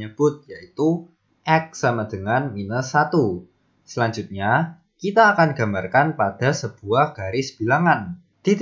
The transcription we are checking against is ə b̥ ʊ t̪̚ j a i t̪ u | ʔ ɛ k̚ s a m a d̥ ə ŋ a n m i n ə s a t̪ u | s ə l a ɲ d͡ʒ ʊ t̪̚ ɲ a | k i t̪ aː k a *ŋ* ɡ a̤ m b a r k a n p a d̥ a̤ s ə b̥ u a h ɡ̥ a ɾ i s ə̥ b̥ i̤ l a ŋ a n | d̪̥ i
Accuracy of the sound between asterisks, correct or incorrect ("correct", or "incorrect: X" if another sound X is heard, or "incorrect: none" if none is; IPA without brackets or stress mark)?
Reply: incorrect: n